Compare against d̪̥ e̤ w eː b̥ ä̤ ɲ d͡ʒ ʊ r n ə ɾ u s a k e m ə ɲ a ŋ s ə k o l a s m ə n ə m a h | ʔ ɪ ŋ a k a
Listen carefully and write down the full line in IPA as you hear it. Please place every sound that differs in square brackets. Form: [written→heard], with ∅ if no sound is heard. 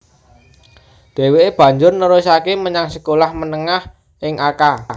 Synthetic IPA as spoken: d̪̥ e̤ w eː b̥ ä̤ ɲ d͡ʒ ʊ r n ə ɾ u s a k e m ə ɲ a ŋ s ə k o l a [s→h] m ə n ə [m→ŋ] a h | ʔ ɪ ŋ a k a